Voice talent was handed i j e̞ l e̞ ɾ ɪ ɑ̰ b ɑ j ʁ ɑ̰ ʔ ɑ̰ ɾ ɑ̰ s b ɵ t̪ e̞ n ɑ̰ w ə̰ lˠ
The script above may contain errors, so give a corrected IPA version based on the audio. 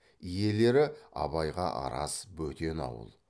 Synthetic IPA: i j e̞ l e̞ ɾ ɪ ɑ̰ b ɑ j ʁ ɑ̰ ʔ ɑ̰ ɾ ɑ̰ s b ɵ t̪ e̞ n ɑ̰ w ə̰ lˠ